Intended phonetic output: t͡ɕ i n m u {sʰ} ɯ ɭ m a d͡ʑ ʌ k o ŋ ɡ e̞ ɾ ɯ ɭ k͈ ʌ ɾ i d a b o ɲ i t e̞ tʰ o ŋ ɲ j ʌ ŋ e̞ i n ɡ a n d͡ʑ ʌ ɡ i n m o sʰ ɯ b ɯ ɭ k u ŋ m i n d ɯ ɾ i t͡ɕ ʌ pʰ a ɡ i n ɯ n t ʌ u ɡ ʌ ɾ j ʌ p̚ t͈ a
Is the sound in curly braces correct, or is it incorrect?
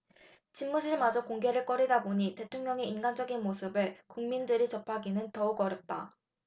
correct